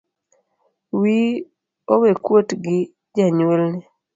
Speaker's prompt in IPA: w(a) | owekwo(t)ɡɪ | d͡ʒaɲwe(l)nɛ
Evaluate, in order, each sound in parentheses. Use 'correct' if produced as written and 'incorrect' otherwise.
incorrect: i, correct, correct

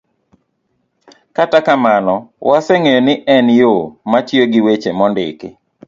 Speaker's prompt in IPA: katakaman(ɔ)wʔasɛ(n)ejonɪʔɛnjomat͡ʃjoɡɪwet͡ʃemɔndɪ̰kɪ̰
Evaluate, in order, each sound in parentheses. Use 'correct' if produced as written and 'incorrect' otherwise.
correct, incorrect: ŋ

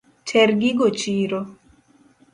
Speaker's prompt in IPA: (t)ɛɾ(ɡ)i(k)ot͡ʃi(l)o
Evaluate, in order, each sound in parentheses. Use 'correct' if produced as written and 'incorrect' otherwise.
incorrect: t͡ʃ, correct, incorrect: ɡ, incorrect: ɾ

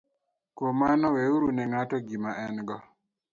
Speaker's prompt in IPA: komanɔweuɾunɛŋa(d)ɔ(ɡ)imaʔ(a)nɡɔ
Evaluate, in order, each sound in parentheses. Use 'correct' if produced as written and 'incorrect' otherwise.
incorrect: t, correct, incorrect: ɛ

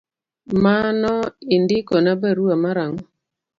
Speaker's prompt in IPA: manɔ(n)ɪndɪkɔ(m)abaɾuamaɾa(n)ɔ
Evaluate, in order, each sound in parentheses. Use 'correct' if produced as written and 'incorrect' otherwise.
incorrect: none, incorrect: n, incorrect: ŋ

